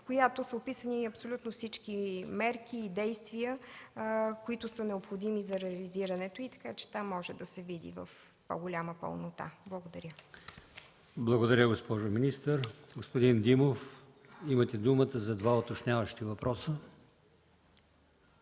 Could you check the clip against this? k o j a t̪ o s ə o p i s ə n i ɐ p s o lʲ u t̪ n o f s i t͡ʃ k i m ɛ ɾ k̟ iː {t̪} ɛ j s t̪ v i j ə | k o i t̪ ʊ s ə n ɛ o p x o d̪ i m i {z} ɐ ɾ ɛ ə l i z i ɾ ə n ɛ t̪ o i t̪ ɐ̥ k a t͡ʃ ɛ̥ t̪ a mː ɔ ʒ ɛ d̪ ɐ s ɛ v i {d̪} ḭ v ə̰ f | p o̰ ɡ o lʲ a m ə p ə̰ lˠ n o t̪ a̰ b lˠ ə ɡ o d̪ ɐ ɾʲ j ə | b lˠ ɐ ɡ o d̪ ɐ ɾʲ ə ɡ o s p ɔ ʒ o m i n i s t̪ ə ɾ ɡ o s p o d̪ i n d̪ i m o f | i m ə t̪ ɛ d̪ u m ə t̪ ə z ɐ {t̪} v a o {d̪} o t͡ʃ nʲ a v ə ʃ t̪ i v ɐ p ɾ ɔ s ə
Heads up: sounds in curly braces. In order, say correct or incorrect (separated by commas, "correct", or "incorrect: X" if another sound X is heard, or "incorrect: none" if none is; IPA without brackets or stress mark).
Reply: incorrect: d̪, correct, correct, incorrect: d̪, incorrect: t̪